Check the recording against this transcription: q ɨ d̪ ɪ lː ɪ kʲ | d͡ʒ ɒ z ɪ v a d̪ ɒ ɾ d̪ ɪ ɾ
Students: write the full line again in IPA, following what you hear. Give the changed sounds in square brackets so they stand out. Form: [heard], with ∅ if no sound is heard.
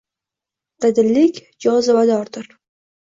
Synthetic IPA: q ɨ d̪ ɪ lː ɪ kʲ | d͡ʒ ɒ z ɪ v a d̪ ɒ ɾ d̪ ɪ ɾ